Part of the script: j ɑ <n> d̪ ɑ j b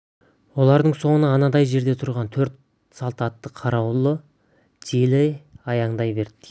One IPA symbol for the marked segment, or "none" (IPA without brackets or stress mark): ɴ